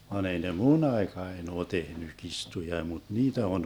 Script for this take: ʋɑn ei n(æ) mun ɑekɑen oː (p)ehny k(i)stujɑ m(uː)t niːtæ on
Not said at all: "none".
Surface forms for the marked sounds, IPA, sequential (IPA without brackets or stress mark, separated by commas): e, t, i, u